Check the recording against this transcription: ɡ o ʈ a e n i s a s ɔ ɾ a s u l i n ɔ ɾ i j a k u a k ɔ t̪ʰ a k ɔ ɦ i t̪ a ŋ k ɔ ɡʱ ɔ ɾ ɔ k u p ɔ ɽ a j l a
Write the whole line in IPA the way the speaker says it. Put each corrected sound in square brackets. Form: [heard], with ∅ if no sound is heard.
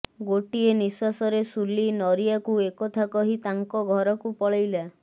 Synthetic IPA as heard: ɡ o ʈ [i] e n i s a s ɔ ɾ [e] s u l i n ɔ ɾ i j a k u [e] k ɔ t̪ʰ a k ɔ ɦ i t̪ a ŋ k ɔ ɡʱ ɔ ɾ ɔ k u p ɔ [ɭ] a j l a